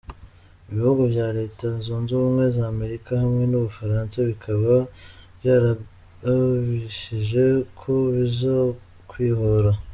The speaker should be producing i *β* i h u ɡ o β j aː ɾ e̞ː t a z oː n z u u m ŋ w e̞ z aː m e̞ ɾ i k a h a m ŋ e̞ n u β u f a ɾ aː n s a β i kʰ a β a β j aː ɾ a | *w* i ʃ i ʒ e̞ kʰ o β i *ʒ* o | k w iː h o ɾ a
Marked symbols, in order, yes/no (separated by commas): yes, no, no